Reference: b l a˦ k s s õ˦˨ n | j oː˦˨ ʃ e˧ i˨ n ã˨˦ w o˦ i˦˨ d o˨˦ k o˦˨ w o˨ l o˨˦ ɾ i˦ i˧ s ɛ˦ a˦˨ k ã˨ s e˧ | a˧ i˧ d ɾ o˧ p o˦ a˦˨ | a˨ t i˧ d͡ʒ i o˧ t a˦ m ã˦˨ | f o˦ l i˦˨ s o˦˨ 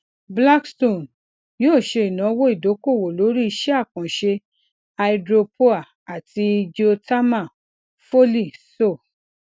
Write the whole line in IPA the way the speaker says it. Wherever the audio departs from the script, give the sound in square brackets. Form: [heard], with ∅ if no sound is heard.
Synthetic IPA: b l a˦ k s [t] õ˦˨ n | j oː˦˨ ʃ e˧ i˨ n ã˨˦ w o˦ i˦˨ d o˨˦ k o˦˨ w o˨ l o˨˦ ɾ i˦ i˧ [ʃ] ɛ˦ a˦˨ k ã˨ [ʃ] e˧ | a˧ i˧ d ɾ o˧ p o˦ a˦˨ | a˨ t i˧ d͡ʒ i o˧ t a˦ m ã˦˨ | f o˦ l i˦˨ s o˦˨